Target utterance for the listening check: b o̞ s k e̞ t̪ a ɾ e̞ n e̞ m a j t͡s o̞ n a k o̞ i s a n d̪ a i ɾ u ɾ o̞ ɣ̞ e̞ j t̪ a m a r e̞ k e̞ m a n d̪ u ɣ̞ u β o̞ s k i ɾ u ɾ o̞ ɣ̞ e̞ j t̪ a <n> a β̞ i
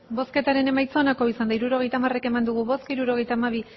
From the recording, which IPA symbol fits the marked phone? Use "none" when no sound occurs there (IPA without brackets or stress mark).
m